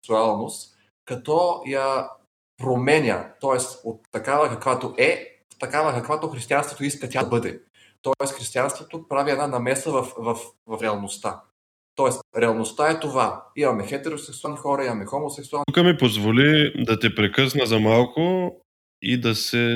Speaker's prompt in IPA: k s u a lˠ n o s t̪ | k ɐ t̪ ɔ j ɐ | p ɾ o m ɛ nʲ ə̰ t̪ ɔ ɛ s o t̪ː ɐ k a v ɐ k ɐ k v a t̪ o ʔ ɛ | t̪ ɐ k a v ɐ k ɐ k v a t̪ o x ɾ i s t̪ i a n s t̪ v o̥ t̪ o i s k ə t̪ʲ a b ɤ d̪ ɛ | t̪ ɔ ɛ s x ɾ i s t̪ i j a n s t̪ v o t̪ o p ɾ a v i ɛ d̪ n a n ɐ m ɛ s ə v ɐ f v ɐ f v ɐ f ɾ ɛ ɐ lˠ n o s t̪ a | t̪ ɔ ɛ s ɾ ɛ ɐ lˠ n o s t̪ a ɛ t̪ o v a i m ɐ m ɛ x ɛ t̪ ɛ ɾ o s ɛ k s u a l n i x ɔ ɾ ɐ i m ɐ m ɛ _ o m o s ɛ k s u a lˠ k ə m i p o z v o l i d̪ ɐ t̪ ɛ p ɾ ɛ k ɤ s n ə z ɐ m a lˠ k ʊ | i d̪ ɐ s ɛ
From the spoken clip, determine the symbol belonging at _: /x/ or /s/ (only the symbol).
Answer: x